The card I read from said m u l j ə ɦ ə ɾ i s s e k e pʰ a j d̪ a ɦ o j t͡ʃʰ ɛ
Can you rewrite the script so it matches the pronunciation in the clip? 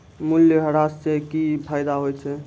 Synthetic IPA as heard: m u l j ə ɦ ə ɾ a s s e k i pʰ a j d̪ a ɦ o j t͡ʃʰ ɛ